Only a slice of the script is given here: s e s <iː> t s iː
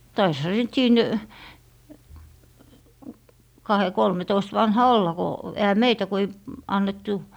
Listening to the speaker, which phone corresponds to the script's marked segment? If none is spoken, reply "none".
i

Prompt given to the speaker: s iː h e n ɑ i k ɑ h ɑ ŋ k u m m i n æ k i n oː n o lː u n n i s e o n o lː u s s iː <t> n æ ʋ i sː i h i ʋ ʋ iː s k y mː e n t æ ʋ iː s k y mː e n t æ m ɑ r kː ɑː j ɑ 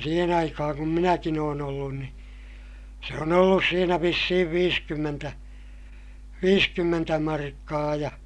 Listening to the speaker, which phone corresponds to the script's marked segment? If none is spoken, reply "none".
none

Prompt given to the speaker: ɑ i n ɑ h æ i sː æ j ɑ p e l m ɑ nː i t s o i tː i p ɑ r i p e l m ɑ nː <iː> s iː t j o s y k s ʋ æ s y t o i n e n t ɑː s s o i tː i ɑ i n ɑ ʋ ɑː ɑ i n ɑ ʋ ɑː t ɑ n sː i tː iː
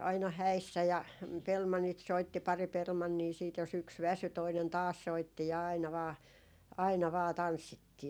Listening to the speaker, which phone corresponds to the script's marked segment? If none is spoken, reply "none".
iː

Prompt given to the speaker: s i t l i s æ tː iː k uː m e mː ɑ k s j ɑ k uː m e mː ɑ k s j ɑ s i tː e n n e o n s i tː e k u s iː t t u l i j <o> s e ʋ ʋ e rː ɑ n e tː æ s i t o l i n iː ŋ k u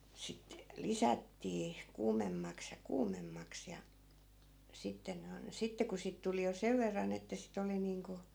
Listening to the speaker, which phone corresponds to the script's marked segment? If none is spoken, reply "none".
o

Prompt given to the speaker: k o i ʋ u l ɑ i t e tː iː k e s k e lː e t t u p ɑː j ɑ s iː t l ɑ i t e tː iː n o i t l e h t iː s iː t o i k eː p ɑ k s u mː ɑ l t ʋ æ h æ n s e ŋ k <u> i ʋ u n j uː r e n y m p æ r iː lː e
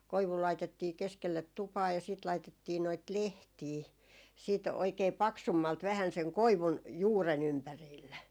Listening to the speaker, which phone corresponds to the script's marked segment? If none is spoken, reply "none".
o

